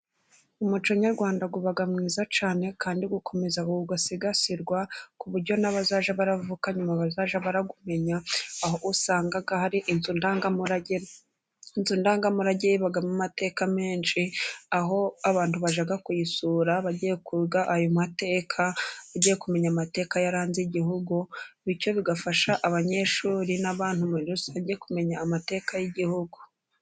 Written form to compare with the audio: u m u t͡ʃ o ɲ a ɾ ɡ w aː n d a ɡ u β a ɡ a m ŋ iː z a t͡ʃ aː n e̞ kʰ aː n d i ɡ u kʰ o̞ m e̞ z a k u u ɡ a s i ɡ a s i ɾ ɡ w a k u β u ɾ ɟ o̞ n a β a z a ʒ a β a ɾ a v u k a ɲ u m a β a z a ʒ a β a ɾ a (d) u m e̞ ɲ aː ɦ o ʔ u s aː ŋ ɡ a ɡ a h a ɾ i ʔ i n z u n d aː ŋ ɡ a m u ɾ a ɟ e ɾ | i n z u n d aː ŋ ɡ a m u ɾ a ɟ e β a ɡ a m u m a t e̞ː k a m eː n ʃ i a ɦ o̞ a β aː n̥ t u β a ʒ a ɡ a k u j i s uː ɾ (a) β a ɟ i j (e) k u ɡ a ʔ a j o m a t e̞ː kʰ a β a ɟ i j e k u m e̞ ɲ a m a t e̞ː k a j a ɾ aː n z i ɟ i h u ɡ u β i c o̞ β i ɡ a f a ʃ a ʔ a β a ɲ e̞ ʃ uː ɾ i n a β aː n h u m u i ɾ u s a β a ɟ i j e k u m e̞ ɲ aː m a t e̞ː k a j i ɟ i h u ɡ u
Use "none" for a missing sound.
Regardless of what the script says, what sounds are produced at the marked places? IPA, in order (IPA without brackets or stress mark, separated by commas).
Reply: ɡ, a, e